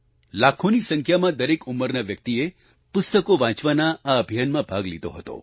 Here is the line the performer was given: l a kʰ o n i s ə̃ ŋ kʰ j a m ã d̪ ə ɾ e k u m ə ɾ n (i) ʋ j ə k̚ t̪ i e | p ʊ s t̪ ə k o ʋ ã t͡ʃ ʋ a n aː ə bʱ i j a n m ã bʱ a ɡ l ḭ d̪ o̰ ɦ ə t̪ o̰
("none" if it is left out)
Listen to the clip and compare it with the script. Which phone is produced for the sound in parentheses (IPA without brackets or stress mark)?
a